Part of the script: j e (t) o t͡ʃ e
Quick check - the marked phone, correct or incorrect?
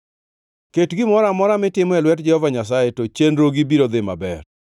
correct